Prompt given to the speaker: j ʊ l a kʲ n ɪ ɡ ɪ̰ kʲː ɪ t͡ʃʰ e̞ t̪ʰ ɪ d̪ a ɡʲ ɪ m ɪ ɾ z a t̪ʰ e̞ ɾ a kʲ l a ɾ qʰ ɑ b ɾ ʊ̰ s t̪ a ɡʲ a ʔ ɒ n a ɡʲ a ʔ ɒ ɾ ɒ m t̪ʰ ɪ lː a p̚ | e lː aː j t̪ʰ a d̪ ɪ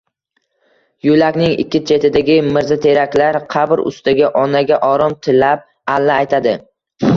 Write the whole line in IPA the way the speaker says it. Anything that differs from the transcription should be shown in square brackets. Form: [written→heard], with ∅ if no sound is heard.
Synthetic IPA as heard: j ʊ l a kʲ n ɪ [ɡ→ŋ] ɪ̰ kʲː ɪ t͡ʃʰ e̞ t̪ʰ ɪ d̪ a ɡʲ ɪ m ɪ ɾ z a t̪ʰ e̞ ɾ a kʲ l a ɾ qʰ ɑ b ɾ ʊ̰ s t̪ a ɡʲ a ʔ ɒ n a ɡʲ a ʔ ɒ ɾ ɒ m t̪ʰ ɪ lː a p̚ | [e→a] lː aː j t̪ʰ a d̪ ɪ